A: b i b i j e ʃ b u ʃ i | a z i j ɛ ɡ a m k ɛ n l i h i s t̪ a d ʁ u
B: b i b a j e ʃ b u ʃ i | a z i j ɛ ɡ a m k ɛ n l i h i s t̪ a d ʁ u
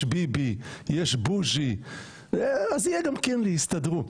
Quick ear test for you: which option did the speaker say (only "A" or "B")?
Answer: A